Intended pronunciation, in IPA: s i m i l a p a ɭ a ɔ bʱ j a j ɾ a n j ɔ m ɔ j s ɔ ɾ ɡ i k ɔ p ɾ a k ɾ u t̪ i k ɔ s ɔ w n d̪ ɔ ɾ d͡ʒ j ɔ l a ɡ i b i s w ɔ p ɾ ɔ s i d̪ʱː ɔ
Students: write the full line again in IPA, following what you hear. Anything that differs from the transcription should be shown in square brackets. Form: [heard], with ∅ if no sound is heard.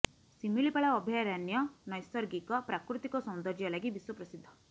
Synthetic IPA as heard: s i m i l [i] p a ɭ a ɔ bʱ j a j ɾ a n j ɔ [n] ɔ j s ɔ ɾ ɡ i k ɔ p ɾ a k ɾ u t̪ i k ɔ s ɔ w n d̪ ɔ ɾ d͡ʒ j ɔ l a ɡ i b i s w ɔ p ɾ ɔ s i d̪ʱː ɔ